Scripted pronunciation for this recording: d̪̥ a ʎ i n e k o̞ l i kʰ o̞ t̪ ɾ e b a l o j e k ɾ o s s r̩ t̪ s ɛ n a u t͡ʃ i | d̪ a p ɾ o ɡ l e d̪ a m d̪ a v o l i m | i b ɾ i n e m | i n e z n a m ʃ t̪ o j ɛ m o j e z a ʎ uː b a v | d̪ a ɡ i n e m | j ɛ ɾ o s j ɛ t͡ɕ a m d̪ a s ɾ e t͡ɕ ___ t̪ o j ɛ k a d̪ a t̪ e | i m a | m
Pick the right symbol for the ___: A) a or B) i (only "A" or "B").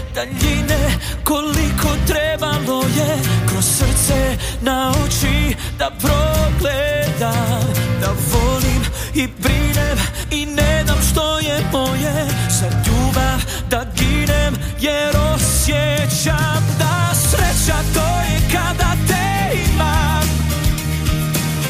A